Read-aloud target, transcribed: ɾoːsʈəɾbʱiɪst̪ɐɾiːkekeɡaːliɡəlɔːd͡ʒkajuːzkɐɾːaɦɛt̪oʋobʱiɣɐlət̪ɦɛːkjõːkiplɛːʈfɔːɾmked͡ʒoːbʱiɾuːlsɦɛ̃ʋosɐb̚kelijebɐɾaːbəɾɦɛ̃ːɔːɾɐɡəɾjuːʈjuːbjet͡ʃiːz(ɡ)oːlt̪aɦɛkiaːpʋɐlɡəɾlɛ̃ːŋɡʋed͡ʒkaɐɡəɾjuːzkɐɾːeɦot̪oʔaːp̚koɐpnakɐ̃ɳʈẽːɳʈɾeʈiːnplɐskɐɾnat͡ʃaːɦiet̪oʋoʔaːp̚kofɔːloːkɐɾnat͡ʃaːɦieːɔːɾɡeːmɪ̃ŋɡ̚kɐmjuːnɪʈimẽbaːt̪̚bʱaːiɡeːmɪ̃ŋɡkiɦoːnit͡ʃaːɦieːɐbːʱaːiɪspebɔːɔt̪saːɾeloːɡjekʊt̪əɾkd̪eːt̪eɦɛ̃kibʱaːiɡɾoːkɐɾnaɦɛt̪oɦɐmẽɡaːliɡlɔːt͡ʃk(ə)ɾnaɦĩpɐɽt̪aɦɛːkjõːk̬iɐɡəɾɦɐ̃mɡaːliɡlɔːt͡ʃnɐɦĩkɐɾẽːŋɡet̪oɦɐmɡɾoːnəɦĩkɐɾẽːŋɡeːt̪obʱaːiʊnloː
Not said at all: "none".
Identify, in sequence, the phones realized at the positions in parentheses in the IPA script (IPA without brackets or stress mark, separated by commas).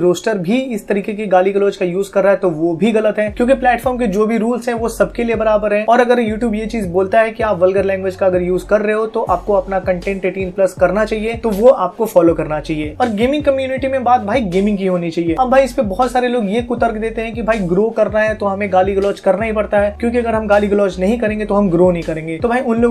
b, ɐ